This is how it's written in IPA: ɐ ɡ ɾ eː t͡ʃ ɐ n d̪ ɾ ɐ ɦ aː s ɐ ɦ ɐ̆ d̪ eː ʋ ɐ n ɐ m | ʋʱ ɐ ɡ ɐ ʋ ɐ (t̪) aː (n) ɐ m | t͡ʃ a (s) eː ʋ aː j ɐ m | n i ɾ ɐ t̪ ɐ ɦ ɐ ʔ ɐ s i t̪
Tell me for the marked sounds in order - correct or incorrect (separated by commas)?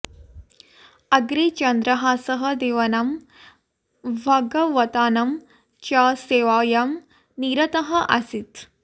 correct, correct, correct